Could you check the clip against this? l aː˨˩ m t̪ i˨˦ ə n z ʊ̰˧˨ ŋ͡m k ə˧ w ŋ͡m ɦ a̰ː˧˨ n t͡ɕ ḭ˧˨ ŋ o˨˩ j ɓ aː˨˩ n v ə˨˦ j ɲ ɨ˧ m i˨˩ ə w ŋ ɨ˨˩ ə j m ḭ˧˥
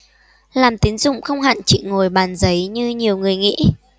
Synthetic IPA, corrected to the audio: l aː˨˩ m t̪ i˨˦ ə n z ʊ̰˧˨ ŋ͡m x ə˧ w ŋ͡m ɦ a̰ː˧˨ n t͡ɕ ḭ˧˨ ŋ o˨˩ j ɓ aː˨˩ n z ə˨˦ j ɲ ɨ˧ ɲ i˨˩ ə w ŋ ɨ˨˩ ə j ŋ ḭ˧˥